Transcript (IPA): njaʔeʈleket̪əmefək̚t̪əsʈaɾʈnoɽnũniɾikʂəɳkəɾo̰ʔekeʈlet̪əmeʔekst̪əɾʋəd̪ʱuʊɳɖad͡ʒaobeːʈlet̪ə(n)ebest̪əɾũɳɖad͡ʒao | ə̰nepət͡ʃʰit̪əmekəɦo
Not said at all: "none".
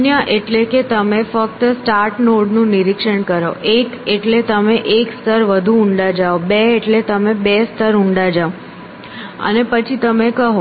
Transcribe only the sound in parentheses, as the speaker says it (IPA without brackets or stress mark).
m